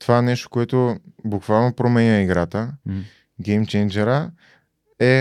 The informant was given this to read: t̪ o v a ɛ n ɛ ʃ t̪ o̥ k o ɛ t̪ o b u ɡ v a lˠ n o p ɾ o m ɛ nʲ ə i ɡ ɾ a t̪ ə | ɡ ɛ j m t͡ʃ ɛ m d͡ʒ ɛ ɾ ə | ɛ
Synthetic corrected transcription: t̪ o v a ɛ n ɛ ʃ t̪ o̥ k o ɛ t̪ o b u k v a lˠ n o p ɾ o m ɛ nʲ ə i ɡ ɾ a t̪ ə | ɡ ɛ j m t͡ʃ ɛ n d͡ʒ ɛ ɾ ə | ɛ